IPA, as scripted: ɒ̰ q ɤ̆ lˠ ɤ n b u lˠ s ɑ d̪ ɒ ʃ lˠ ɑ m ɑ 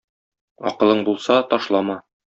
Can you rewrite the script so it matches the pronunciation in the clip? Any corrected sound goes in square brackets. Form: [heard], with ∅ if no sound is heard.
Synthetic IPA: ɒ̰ q ɤ̆ lˠ ɤ [ɴ] b u lˠ s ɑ [t̪] ɒ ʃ lˠ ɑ m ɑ